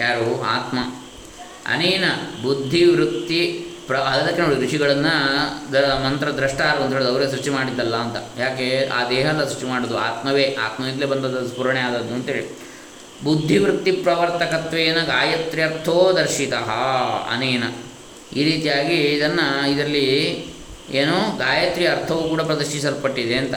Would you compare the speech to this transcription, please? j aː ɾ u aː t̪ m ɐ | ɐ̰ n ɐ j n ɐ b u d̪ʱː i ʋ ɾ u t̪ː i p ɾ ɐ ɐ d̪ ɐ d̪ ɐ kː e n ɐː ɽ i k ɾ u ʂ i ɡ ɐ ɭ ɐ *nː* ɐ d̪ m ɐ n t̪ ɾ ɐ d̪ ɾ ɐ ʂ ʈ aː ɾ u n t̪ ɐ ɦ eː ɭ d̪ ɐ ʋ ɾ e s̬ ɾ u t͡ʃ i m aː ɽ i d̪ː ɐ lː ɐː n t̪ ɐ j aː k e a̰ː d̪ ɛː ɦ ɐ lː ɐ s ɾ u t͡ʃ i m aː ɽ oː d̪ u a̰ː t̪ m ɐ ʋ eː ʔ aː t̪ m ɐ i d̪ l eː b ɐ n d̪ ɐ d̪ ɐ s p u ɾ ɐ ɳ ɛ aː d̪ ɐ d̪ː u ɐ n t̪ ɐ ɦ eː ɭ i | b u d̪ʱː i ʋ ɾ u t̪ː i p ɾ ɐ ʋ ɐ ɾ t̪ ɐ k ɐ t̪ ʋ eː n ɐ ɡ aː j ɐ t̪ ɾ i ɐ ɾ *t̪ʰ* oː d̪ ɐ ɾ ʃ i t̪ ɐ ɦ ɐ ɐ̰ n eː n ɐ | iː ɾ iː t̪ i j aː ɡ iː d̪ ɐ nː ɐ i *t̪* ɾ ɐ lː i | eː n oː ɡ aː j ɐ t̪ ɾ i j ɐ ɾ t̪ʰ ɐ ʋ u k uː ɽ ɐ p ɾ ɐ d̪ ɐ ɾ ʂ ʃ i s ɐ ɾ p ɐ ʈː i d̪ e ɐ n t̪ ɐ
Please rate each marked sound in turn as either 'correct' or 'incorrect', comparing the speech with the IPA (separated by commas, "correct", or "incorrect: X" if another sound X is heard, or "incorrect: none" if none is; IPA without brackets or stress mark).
correct, correct, incorrect: d̪